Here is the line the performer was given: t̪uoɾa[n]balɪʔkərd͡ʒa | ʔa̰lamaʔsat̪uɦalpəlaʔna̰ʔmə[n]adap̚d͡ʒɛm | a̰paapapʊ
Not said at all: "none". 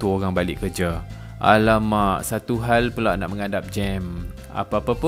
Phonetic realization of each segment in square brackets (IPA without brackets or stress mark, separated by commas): ŋ, ŋ